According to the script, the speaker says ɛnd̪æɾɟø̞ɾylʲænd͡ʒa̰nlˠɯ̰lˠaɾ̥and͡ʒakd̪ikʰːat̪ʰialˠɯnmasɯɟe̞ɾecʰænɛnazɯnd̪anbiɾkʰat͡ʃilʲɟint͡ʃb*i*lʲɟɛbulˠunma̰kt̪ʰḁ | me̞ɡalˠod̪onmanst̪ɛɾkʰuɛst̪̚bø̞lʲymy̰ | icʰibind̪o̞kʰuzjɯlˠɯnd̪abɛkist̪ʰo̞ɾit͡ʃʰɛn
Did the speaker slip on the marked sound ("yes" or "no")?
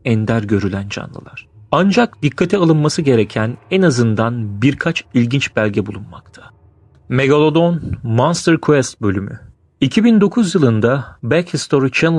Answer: yes